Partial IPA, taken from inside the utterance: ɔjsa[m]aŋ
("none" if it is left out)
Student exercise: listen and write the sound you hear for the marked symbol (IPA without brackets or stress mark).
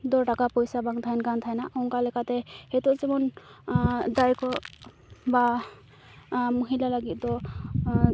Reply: b